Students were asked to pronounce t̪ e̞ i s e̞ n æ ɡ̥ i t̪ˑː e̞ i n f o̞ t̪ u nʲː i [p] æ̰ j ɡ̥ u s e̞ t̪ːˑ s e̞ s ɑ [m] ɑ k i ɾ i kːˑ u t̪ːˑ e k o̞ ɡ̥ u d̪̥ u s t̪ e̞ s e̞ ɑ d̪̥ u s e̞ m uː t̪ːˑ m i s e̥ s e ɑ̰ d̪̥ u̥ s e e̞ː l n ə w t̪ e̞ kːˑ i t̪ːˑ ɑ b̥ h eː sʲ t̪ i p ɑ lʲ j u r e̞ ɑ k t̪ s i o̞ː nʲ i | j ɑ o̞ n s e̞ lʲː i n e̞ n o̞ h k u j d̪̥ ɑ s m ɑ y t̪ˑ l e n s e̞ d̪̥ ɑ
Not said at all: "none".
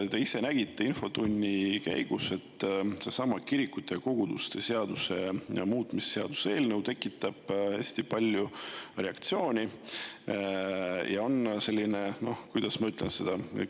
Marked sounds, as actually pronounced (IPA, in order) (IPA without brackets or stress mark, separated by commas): k, m